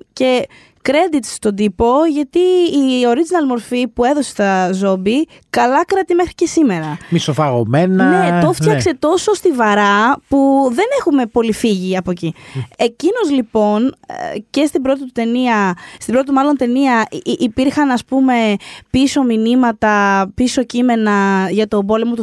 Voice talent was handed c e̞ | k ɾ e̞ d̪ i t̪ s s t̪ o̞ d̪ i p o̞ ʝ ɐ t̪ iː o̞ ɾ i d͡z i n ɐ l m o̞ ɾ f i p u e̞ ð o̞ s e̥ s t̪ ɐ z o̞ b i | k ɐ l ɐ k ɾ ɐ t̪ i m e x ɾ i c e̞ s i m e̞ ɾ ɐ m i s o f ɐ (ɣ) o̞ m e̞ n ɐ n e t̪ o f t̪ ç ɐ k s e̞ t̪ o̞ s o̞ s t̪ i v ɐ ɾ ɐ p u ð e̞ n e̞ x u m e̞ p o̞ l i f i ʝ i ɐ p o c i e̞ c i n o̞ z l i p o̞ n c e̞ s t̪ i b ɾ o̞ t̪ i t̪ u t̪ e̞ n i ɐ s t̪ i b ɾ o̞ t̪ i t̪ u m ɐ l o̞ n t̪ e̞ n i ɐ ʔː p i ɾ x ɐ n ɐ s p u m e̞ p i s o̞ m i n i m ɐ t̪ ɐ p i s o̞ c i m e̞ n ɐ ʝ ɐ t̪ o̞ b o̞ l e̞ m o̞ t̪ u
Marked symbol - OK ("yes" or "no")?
yes